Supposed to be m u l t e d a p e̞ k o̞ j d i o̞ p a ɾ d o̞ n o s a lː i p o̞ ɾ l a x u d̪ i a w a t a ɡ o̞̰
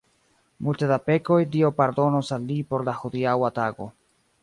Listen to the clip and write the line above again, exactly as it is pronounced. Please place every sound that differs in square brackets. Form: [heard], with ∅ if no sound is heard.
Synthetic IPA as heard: m u l t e d a p e̞ k o̞ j d i o̞ p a ɾ d o̞ n o s a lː i p o̞ ɾ l a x u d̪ i a w a t a ɡ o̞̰